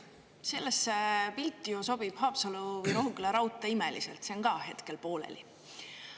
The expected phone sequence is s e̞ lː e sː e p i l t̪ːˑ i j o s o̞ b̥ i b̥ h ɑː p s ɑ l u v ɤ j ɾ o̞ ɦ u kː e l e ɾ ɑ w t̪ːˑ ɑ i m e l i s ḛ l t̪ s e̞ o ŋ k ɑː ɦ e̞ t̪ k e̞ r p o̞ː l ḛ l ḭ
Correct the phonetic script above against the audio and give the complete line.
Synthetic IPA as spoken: s e̞ lː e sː e p i l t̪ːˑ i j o s o̞ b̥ i b̥ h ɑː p s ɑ l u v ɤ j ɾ o̞ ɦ u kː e l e ɾ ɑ w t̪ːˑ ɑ i m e l i s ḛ l t̪ s e̞ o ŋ k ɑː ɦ e̞ t̪ k e̞ l p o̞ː l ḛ l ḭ